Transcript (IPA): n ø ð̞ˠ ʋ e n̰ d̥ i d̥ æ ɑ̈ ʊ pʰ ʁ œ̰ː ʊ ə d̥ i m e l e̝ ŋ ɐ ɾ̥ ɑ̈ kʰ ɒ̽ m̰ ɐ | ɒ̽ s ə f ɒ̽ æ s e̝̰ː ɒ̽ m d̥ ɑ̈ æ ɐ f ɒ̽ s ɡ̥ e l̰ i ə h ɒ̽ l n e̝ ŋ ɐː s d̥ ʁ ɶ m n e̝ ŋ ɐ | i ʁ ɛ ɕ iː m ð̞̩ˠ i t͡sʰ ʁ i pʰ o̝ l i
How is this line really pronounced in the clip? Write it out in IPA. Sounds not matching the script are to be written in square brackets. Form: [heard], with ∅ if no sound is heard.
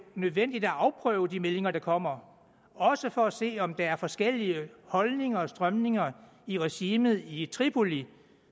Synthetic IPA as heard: n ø ð̞ˠ ʋ e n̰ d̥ i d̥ æ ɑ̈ ʊ pʰ ʁ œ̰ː ʊ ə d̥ i m e l e̝ ŋ ɐ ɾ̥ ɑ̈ kʰ ɒ̽ m̰ ɐ | ɒ̽ s ə f ɒ̽ æ s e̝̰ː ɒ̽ m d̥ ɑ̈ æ ɐ f ɒ̽ s ɡ̥ e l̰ i ə h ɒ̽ l n e̝ ŋ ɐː s d̥ ʁ ɶ m n e̝ ŋ ɐ | i ʁ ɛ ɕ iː m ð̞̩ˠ i t͡sʰ ʁ i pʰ o̝ l i